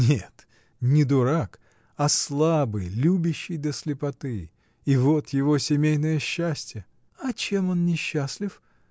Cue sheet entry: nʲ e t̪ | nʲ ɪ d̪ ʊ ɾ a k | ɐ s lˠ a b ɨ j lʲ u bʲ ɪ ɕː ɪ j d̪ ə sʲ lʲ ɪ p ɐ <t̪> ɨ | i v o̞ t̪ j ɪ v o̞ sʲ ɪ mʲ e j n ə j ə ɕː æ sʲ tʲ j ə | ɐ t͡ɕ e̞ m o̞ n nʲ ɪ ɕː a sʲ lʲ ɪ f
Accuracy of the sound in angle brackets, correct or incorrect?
correct